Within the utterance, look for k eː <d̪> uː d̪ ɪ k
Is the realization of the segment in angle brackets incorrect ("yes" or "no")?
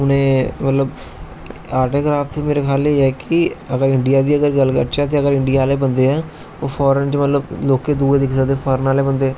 no